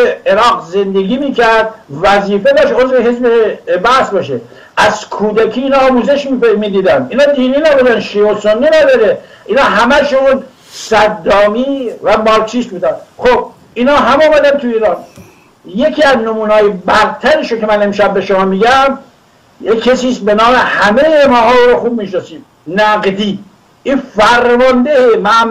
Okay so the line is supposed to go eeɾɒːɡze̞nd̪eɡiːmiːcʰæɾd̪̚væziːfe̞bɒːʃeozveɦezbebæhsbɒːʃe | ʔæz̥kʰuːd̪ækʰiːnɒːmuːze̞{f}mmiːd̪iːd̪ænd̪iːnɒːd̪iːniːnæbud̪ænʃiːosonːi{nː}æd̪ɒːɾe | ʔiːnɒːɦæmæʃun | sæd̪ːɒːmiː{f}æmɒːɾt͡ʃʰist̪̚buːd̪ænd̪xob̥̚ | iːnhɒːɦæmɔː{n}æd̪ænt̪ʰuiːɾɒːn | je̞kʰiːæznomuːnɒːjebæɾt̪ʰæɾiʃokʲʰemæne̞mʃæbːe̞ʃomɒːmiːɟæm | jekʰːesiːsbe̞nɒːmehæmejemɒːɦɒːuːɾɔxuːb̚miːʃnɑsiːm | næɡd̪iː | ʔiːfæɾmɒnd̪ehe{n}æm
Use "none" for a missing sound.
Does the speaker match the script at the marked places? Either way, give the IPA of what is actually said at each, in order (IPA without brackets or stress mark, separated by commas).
ʃ, n, v, m, m